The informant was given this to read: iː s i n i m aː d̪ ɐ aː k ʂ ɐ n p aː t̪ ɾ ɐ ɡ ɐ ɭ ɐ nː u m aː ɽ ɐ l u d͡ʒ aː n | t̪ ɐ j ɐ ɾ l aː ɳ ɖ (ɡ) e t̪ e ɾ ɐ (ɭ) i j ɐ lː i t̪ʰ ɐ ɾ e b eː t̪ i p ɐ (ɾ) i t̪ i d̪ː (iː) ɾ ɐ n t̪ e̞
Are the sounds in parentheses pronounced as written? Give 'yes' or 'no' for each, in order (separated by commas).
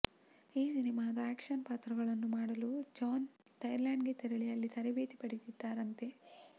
yes, yes, no, no